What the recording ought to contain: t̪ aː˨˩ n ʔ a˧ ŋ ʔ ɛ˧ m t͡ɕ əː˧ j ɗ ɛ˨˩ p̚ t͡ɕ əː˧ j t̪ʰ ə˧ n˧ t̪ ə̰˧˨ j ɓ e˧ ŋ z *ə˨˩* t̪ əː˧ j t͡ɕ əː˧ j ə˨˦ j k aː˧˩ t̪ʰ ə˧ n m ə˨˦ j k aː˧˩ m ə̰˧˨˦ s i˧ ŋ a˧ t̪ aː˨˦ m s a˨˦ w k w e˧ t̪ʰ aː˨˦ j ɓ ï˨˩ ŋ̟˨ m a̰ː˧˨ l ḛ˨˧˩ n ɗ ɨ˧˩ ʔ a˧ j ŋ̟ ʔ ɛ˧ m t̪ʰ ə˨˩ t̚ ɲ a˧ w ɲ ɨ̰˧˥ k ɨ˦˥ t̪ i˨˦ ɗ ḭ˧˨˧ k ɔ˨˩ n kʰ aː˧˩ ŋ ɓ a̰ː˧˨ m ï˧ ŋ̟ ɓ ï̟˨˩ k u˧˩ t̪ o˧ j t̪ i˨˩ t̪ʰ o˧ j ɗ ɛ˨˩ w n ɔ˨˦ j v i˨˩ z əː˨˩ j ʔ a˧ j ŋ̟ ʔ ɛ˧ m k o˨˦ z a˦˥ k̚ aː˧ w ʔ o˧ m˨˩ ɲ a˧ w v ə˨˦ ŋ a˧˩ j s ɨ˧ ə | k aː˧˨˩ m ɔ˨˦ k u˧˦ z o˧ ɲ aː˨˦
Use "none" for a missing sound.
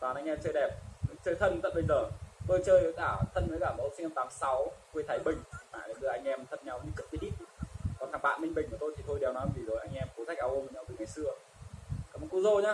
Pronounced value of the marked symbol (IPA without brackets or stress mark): əː˨˩